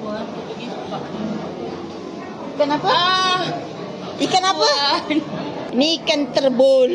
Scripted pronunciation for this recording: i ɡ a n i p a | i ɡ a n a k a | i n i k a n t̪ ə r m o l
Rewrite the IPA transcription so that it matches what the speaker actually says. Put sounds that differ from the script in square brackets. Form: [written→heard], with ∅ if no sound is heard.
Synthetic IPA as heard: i [ɡ→k] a n [i→a] p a | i [ɡ→k] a n a [k→p] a | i n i k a n t̪ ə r [m→b] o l